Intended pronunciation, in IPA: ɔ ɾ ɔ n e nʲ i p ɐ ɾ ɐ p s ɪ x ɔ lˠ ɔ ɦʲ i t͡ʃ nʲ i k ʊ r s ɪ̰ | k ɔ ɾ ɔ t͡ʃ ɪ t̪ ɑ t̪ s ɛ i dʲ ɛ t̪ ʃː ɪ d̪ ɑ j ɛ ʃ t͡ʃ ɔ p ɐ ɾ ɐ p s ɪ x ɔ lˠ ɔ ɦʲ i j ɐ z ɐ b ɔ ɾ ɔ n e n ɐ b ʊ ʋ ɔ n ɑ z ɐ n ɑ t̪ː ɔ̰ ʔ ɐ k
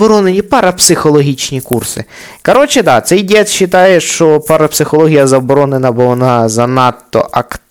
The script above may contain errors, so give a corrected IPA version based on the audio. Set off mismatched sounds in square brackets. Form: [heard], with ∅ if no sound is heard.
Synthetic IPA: ɔ ɾ ɔ n e nʲ i p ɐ ɾ ɐ p s ɪ x ɔ lˠ ɔ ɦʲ i t͡ʃ nʲ i k [u] r s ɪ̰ | k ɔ ɾ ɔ t͡ʃ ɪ [d̪] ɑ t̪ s ɛ [j] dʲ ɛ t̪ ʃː ɪ [t̪] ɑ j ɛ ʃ t͡ʃ ɔ p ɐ ɾ ɐ p s ɪ x ɔ lˠ ɔ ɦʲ i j ɐ z ɐ b ɔ ɾ ɔ n e n ɐ b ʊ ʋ ɔ n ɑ z ɐ n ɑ t̪ː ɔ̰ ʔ ɐ k